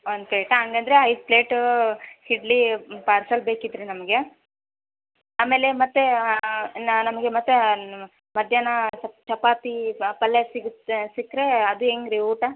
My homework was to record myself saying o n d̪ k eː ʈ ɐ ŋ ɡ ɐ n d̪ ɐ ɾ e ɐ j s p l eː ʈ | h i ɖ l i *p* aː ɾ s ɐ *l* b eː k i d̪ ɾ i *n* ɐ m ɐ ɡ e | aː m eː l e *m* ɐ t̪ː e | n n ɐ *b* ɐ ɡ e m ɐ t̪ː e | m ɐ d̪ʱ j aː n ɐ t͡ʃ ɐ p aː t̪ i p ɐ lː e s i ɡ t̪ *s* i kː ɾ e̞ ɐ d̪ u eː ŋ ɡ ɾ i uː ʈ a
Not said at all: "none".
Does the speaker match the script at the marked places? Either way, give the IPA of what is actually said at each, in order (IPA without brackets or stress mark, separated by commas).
p, l, n, m, m, s